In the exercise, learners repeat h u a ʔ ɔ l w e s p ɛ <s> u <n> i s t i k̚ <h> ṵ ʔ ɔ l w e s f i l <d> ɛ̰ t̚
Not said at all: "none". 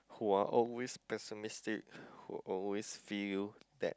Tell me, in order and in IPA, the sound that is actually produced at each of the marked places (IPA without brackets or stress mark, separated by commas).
s, m, h, d